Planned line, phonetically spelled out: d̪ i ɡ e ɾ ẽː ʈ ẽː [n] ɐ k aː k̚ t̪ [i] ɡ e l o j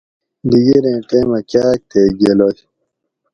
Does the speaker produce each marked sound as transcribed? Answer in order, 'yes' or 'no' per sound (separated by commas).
no, no